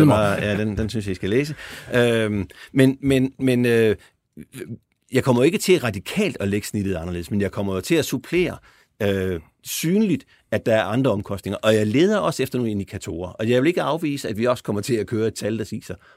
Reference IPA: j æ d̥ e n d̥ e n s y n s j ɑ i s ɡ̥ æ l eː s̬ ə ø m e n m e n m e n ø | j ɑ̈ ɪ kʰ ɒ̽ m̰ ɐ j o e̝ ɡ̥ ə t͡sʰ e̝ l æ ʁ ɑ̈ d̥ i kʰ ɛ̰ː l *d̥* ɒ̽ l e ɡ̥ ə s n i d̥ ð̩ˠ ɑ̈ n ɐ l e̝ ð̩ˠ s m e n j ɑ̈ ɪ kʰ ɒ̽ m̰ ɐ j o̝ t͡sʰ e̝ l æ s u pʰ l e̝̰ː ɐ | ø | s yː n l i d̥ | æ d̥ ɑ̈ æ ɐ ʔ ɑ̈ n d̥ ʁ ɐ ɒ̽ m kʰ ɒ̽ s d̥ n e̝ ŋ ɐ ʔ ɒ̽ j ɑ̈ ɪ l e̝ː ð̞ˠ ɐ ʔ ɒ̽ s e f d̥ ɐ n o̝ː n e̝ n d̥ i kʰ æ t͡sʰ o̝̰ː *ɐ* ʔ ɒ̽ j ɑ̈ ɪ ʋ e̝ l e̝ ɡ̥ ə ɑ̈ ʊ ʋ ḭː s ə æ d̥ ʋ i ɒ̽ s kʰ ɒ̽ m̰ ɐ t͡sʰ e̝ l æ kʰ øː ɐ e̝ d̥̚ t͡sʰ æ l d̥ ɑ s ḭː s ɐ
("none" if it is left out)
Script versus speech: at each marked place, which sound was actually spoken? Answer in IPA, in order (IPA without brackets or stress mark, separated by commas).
d̥, ɐ